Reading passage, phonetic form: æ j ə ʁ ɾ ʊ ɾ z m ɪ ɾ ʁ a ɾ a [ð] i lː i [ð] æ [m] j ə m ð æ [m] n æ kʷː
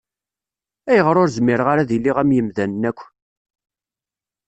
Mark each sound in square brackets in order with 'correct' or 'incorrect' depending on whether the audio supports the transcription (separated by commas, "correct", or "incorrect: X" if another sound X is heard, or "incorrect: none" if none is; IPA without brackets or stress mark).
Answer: correct, incorrect: ʁ, correct, incorrect: n